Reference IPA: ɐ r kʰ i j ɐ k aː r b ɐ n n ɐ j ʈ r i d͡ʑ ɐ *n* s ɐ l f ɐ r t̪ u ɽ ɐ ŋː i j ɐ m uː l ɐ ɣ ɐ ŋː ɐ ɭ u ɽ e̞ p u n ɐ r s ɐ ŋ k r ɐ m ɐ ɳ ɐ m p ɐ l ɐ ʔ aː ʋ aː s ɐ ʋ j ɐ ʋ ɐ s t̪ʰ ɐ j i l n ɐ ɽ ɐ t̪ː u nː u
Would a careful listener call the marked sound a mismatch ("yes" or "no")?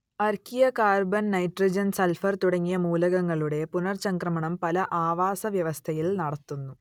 no